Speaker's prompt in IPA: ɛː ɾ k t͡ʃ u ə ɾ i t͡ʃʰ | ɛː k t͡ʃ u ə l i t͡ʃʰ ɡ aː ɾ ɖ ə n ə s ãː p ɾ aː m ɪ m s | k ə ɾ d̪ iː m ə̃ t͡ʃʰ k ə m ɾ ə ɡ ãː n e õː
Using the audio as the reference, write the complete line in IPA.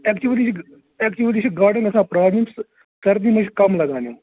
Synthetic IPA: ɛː k t͡ʃ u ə l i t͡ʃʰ | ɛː k t͡ʃ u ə l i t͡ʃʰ ɡ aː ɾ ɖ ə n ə s ãː p ɾ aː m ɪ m s | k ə ɾ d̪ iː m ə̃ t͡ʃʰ k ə m l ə ɡ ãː n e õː